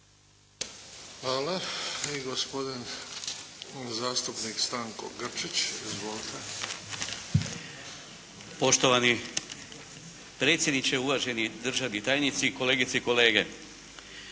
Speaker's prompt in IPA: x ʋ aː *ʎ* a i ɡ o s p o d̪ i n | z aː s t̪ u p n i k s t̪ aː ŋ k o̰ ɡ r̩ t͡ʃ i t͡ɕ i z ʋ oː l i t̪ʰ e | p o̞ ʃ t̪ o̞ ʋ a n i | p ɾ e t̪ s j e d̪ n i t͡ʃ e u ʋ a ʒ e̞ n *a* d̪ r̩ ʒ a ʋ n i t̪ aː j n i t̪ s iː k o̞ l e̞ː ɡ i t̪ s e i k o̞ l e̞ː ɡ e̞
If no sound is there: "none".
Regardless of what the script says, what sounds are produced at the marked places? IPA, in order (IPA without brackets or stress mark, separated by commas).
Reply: l, i